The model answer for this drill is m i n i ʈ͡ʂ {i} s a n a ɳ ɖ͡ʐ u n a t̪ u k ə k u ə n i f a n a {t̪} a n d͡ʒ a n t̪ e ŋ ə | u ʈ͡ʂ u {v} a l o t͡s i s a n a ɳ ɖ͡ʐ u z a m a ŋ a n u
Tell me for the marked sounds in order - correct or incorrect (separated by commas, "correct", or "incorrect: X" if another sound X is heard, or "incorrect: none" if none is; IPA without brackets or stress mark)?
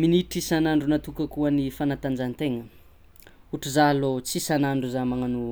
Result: correct, correct, incorrect: z